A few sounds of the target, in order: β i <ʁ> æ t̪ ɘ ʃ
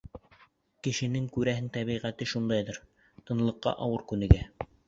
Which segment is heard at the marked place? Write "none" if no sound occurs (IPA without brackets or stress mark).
ʁ